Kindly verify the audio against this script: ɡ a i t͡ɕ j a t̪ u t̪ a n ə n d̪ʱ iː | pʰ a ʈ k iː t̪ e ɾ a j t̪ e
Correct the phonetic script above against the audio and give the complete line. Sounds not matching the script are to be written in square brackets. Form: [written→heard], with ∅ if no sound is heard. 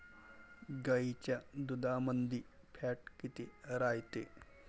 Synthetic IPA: ɡ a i t͡ɕ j a [t̪→d̪] u [t̪→d̪] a [n→m] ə n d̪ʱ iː | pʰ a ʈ k [iː→i] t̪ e ɾ a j t̪ e